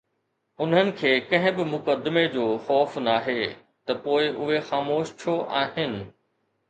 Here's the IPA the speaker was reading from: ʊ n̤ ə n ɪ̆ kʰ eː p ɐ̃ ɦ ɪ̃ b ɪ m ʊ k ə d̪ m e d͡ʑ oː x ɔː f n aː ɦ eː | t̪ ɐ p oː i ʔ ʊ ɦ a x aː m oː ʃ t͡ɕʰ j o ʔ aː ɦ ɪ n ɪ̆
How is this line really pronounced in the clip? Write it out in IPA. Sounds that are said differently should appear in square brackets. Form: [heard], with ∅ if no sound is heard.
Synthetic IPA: ʊ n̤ ə n ɪ̆ kʰ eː [k] ɐ̃ ɦ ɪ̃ b ɪ m ʊ k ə d̪ m e d͡ʑ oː x ɔː f n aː ɦ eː | t̪ ɐ p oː [ɪ] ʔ ʊ ɦ [e] x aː m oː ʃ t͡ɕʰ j o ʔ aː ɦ ɪ n ɪ̆